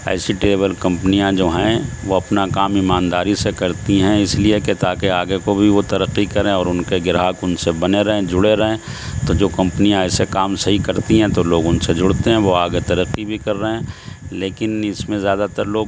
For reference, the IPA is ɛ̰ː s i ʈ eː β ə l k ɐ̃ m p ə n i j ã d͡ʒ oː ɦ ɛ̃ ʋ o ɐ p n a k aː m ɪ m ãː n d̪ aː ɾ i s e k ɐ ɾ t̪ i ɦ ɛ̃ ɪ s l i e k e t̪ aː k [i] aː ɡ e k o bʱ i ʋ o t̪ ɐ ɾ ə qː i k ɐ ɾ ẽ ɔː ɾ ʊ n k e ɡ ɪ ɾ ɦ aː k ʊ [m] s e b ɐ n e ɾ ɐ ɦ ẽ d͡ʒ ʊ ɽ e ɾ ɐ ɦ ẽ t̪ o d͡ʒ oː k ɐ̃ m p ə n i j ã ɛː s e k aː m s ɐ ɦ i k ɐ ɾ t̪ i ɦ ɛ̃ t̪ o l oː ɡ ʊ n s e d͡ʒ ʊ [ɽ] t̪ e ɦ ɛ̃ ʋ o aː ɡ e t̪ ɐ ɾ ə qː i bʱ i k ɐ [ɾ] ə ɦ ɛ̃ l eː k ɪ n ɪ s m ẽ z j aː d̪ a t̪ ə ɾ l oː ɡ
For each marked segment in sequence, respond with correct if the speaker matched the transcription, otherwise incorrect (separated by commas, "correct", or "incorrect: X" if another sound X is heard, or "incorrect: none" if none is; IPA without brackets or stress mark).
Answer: incorrect: e, incorrect: n, correct, incorrect: ɾː